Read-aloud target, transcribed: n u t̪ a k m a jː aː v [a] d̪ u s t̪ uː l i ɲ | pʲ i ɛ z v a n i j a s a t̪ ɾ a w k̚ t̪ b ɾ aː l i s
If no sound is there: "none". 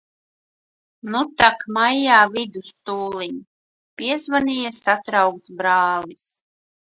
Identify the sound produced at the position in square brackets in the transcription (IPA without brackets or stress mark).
i